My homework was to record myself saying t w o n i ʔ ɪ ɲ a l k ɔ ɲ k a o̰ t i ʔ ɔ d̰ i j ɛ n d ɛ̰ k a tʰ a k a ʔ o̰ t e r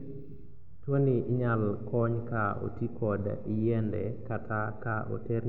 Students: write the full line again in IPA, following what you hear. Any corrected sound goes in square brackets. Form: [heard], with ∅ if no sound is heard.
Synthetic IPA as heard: t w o n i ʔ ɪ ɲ a l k ɔ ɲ k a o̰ t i [k] ɔ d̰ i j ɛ n d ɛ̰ k a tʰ a k a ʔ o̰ t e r